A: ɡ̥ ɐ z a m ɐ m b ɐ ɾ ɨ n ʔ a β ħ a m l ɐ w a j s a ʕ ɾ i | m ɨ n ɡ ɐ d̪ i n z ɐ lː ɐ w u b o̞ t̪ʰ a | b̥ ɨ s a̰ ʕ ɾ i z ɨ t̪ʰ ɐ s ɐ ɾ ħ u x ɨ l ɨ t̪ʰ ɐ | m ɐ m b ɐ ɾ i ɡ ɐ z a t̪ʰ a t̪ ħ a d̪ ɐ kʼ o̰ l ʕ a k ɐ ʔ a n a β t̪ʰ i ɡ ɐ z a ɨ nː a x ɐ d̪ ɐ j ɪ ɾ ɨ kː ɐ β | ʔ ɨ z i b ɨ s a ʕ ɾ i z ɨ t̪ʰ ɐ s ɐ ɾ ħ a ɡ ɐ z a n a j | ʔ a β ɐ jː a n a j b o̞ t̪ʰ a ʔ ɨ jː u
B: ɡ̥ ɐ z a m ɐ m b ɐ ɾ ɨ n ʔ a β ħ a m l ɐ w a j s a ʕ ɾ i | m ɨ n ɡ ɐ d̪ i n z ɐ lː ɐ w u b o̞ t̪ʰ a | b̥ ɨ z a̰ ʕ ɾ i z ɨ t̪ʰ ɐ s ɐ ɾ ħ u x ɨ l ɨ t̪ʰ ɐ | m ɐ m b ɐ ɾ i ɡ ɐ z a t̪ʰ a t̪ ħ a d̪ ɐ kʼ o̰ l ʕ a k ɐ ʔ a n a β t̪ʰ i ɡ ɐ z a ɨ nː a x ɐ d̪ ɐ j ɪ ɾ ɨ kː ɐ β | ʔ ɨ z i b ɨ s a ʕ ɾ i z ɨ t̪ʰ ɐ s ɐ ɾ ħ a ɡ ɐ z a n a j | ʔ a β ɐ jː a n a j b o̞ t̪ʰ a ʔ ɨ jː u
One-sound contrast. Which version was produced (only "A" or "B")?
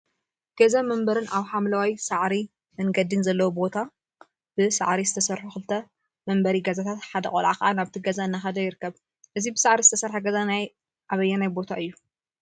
A